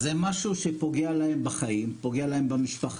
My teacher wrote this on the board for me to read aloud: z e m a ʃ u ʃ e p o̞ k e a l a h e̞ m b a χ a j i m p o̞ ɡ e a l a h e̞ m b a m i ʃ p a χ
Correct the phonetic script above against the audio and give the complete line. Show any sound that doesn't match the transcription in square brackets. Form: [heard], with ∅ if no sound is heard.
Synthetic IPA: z e m a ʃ u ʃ e p o̞ [ɡ] e a l a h e̞ m b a χ a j i m p o̞ ɡ e a l a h e̞ m b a m i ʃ p a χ